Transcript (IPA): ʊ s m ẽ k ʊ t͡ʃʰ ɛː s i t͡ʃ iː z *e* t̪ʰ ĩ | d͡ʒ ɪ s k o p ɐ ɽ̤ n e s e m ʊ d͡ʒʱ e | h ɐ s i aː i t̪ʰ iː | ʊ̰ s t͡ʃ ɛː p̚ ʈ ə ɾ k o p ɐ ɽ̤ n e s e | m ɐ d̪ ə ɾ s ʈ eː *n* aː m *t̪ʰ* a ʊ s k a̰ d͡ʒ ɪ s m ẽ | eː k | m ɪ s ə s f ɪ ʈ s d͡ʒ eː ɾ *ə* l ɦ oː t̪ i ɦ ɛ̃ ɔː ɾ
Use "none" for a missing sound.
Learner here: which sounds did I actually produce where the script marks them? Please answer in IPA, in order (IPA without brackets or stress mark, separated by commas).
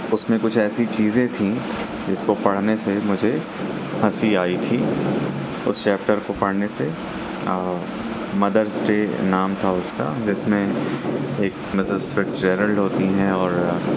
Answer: ẽ, n, t̪ʰ, ə